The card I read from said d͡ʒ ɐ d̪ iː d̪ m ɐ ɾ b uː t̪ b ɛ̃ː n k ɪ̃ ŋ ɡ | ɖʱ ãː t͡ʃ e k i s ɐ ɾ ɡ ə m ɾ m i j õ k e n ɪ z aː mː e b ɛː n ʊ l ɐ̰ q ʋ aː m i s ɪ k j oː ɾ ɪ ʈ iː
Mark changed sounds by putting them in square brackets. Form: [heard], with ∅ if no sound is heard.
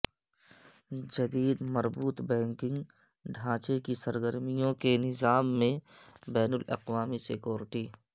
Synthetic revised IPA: d͡ʒ ɐ d̪ iː d̪ m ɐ ɾ b uː t̪ b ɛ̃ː [ŋ] k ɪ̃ ŋ ɡ | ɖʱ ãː t͡ʃ e k i s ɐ ɾ ɡ ə [∅] ɾ m i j õ k e n ɪ z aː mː [ẽ] b ɛː n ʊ l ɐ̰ q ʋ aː m i s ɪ k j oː ɾ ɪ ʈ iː